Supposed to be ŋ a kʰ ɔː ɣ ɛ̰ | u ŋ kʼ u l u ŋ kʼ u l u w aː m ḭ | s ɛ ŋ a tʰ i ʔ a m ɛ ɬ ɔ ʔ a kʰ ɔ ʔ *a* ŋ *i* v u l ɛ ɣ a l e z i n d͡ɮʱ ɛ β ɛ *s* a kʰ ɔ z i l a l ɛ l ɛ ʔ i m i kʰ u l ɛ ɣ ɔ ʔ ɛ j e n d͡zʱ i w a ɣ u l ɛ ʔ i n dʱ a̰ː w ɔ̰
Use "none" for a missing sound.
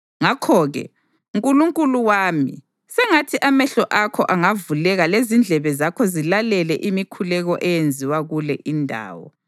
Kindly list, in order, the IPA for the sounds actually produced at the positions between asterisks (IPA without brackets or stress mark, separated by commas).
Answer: a, a, z